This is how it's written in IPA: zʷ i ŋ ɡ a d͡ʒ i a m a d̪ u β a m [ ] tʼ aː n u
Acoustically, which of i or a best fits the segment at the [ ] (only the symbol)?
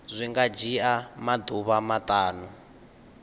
a